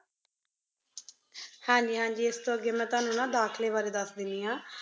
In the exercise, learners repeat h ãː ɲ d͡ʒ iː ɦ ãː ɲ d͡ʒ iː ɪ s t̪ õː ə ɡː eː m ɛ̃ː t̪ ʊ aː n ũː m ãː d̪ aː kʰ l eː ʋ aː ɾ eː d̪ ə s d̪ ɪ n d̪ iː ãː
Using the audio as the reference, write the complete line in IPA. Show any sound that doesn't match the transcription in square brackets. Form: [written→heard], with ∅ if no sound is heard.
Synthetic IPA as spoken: h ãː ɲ d͡ʒ iː ɦ ãː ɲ d͡ʒ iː ɪ s t̪ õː ə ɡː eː m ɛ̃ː t̪ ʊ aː n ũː [m→n] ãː d̪ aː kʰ l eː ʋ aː ɾ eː d̪ ə s d̪ ɪ n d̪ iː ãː